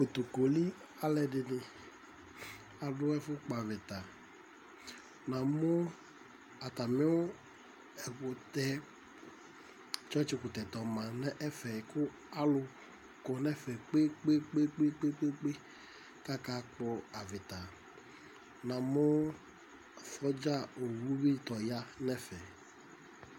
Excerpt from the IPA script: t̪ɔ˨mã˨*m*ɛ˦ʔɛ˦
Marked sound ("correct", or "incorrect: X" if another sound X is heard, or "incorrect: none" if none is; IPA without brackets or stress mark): incorrect: n